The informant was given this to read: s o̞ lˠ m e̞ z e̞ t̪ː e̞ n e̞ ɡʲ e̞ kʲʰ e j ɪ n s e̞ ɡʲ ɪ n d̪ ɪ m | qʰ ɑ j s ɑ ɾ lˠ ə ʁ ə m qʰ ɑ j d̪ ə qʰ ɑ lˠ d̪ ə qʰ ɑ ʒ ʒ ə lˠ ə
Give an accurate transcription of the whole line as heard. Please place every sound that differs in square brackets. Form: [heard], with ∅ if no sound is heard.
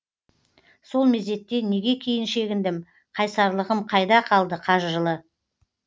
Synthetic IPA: s o̞ lˠ m e̞ z e̞ t̪ː e̞ n e̞ ɡʲ e̞ kʲʰ e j ɪ n [ʃ] e̞ ɡʲ ɪ n d̪ ɪ m | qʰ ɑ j s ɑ ɾ lˠ ə ʁ ə m qʰ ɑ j d̪ [ɑ] qʰ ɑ lˠ d̪ ə qʰ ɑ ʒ ʒ ə lˠ ə